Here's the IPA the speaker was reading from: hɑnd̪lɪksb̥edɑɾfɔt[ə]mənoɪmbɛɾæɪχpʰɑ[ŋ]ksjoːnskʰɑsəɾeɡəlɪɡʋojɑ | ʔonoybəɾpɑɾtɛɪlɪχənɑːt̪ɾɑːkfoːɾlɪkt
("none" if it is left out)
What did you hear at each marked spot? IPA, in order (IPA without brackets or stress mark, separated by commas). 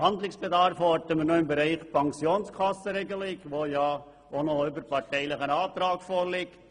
ə, ŋ